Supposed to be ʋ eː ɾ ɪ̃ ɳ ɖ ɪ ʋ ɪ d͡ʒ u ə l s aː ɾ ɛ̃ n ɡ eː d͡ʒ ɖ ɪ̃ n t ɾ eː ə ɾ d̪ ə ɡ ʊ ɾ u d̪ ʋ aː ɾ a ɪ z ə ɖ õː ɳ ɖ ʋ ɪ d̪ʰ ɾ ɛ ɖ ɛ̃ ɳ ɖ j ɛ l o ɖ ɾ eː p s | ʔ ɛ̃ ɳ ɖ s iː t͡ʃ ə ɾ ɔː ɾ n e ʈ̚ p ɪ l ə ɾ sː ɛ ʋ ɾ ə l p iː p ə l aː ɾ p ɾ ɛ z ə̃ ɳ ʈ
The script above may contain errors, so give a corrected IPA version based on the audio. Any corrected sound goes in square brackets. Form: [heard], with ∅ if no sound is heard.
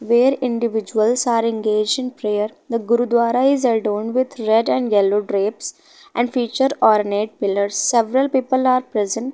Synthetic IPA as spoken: ʋ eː ɾ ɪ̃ ɳ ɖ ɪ ʋ ɪ d͡ʒ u ə l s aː ɾ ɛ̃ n ɡ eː d͡ʒ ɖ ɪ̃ n [p] ɾ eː ə ɾ d̪ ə ɡ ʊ ɾ u d̪ ʋ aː ɾ a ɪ z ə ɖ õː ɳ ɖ ʋ ɪ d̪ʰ ɾ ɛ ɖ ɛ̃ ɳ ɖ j ɛ l o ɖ ɾ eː p s | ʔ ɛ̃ ɳ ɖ [f] iː t͡ʃ ə ɾ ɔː ɾ n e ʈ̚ p ɪ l ə ɾ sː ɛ ʋ ɾ ə l p iː p ə l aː ɾ p ɾ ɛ z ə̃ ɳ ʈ